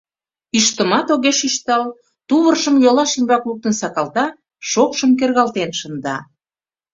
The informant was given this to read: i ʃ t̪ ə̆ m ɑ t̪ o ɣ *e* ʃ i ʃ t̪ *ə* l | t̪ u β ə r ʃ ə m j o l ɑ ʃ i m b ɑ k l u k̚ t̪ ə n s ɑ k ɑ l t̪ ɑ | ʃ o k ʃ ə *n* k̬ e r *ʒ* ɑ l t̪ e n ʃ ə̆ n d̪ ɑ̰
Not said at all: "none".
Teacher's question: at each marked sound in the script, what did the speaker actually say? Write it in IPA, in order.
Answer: e, ɑ, m, ɣ

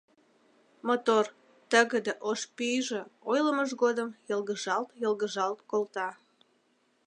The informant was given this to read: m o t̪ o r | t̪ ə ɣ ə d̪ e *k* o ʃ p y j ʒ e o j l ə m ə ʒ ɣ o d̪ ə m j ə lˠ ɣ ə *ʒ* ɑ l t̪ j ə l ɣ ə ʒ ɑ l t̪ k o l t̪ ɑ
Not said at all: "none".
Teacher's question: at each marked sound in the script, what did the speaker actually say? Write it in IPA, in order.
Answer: ʔ, ʒ

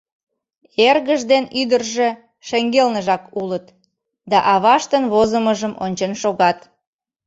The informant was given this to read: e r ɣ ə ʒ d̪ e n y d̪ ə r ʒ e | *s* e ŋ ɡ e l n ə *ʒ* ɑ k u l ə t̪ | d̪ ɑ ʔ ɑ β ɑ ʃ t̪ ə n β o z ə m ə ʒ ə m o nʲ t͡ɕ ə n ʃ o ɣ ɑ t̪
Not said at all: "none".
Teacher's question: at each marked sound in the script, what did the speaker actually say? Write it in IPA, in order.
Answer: ʃ, ʒ

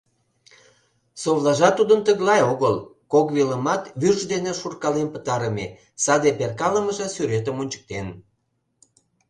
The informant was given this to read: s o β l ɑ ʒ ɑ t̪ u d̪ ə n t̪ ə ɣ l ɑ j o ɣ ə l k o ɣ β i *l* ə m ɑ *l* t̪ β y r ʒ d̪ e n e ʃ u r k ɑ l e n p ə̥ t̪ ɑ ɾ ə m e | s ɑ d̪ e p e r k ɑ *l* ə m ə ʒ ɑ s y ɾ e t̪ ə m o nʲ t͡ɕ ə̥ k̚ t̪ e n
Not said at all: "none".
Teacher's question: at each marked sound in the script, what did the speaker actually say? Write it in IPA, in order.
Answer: l, none, l

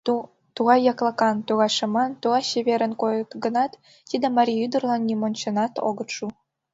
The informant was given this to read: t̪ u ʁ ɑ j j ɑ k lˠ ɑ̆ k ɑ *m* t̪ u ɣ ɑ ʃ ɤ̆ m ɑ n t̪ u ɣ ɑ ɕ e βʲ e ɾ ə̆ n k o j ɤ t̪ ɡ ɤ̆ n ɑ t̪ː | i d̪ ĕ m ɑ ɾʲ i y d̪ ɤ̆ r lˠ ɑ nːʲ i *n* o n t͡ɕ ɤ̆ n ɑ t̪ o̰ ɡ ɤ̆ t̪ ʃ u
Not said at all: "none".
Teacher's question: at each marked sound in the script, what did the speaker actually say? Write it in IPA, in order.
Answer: n, m

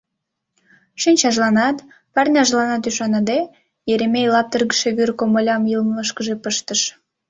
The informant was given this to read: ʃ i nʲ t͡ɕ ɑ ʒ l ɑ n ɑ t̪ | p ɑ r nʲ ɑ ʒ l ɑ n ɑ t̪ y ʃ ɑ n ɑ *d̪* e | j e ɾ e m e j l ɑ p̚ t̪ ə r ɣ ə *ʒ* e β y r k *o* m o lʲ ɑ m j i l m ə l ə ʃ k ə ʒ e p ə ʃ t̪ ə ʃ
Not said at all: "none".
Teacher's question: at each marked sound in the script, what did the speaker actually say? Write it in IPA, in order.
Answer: d̪, ʃ, o

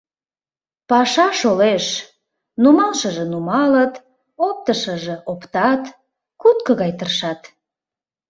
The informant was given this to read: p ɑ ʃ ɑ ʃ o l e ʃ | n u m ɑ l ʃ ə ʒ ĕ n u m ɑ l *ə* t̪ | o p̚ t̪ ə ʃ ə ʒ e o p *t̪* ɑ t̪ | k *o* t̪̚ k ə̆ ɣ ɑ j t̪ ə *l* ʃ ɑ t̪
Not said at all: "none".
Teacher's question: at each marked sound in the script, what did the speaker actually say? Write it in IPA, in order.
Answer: ə, t̪, u, r

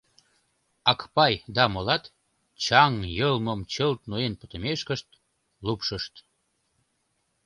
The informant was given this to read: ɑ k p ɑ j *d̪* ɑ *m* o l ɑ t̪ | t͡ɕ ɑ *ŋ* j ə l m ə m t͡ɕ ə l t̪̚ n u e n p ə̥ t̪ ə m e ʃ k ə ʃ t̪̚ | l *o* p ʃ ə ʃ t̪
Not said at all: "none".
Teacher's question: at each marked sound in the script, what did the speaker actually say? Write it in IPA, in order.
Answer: d̪, m, ŋ, u

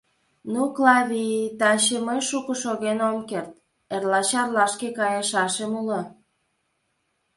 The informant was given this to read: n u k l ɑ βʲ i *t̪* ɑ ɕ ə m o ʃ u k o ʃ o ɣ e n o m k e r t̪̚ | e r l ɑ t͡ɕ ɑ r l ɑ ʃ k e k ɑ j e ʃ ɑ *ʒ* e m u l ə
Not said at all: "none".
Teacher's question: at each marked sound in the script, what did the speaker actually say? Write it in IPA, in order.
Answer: t̪, ʃ

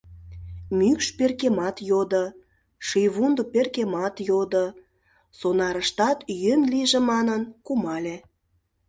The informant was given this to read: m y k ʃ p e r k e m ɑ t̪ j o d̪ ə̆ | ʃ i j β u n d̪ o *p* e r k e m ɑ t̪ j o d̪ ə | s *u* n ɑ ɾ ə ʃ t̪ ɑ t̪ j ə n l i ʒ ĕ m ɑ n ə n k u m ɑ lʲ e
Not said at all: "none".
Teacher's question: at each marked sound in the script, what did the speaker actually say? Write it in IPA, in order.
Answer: p, o

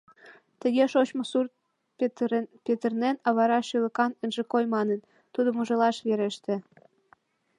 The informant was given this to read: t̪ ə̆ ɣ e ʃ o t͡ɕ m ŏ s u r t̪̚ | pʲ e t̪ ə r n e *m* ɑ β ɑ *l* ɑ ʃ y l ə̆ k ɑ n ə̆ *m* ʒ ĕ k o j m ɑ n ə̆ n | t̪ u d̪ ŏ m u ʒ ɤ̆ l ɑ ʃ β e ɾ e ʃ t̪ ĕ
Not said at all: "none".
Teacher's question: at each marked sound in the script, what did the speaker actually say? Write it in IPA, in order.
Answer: n, ɾ, n

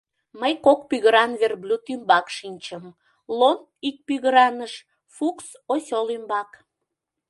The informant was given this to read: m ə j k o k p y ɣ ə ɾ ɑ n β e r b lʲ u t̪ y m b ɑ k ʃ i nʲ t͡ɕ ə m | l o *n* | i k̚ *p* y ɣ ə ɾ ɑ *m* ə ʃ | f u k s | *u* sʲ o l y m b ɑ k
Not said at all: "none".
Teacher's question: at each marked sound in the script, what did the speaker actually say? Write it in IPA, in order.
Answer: n, p, n, o

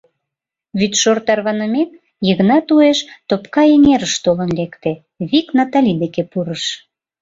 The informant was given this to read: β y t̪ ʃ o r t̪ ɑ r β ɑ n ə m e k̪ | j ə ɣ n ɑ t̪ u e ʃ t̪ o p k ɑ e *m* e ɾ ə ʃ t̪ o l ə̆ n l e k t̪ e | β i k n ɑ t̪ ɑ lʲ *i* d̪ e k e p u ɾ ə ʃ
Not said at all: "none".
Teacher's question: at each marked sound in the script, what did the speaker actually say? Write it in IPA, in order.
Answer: ŋ, i

